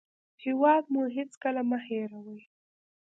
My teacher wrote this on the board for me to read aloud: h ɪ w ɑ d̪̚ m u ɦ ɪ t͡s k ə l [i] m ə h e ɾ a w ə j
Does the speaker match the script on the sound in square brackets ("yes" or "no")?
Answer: no